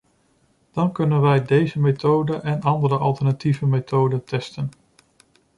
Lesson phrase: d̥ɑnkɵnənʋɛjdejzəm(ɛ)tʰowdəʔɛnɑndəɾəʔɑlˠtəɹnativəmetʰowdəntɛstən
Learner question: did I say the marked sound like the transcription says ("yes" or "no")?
no